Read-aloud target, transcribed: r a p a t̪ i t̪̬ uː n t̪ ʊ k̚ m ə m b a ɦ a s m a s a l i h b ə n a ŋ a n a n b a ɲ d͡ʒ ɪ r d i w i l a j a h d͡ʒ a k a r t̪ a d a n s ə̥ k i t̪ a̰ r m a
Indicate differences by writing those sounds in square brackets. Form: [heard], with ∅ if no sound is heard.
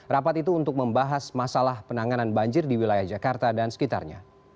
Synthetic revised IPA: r a p a t̪ i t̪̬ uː n t̪ ʊ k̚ m ə m b a ɦ a s m a s a l [a] h [p] ə n a ŋ a n a n b a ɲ d͡ʒ ɪ r d i w i l a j a h d͡ʒ a k a r t̪ a d a n s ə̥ k i t̪ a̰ r [ɲ] a